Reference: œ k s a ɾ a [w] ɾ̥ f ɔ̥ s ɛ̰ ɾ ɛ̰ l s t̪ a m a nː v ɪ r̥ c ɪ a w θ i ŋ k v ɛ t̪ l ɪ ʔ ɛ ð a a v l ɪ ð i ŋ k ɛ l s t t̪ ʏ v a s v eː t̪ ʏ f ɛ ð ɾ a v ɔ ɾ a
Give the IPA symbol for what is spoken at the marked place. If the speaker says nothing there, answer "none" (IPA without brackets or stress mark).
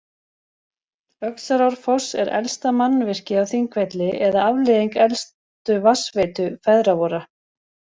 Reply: w